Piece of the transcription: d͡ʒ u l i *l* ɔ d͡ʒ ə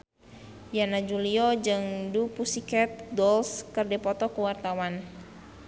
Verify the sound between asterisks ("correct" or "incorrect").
incorrect